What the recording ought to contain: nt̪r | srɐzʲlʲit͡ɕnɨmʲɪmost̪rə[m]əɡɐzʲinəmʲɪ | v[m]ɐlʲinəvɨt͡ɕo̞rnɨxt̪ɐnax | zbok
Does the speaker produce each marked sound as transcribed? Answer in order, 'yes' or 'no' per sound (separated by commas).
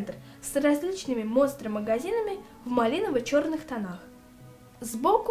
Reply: yes, yes